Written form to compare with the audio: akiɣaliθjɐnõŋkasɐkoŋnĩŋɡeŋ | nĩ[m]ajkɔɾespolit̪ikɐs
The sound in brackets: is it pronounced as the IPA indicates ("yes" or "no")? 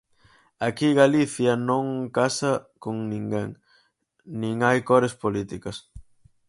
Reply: no